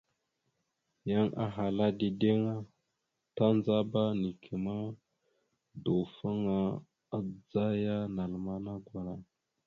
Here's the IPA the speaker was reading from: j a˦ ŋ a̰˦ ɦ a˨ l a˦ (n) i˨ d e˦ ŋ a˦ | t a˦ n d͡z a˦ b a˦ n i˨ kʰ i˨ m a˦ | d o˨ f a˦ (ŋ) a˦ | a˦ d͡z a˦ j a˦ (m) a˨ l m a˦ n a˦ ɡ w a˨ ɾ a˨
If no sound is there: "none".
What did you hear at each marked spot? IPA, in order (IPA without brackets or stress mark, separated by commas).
d, ŋ, n